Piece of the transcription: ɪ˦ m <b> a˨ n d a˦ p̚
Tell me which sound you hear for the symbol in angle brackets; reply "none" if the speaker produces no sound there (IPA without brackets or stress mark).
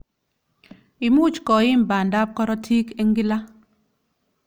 b